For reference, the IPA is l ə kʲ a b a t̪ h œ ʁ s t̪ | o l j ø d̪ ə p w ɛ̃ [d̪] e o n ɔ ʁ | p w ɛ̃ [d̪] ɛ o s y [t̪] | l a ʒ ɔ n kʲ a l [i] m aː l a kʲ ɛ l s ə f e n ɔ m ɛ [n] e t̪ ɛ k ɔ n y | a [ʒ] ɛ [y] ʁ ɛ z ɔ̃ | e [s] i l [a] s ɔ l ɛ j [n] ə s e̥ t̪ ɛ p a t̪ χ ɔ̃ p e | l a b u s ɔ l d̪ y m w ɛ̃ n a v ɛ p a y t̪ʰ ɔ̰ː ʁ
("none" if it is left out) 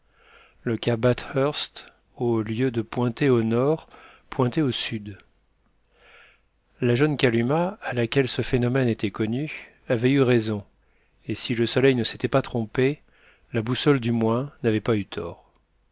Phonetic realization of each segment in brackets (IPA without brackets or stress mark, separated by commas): t̪, t̪, d̪, y, n, v, y, s, ə, n